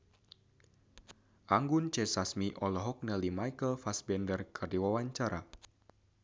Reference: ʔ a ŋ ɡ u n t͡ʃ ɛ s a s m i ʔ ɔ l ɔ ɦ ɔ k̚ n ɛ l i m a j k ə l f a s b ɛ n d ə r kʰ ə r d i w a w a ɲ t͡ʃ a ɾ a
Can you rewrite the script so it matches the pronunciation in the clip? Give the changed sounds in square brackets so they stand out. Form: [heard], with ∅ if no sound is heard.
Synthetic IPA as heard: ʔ a ŋ ɡ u n t͡ʃ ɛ s a s m i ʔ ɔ l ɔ ɦ ɔ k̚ n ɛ l i m a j k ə l f a s b ɛ n d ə r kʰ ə r d i w a w a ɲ t͡ʃ a ɾ a